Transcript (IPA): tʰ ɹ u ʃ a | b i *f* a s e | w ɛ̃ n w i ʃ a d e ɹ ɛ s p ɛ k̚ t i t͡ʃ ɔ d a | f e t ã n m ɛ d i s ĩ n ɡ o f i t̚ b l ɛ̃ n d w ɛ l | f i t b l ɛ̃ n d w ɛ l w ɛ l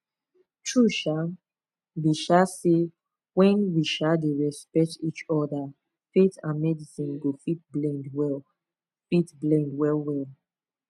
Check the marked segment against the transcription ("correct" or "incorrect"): incorrect